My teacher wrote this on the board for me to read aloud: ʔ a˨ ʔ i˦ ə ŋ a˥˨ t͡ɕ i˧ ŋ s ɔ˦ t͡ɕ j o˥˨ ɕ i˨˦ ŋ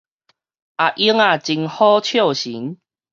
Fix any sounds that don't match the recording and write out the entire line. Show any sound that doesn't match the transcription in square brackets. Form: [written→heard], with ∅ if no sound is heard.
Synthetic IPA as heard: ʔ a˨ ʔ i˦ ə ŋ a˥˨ t͡ɕ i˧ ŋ [s→h] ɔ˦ [t͡ɕ→t͡ɕʰ] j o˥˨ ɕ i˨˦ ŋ